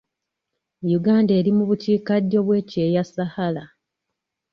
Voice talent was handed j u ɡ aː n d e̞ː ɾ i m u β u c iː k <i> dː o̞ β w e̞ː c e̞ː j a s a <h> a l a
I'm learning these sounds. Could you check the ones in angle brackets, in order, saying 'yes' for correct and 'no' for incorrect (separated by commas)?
no, yes